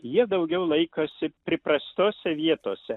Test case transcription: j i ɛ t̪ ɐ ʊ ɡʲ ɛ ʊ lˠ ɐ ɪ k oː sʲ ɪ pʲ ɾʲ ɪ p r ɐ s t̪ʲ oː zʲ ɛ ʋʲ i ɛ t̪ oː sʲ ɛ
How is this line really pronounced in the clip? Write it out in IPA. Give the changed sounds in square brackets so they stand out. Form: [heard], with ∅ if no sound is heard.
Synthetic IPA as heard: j i ɛ [d̪] ɐ ʊ ɡʲ ɛ ʊ lˠ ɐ ɪ k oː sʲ ɪ pʲ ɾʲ ɪ p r ɐ s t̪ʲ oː [sʲ] ɛ ʋʲ i ɛ t̪ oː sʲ ɛ